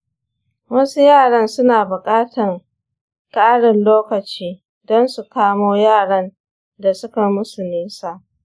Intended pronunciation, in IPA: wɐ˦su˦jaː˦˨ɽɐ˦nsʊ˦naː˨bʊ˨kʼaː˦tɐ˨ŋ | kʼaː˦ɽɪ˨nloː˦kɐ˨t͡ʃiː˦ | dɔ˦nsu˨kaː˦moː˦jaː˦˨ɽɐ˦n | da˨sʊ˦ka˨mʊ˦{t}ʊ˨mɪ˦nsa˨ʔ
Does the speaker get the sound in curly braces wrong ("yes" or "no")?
yes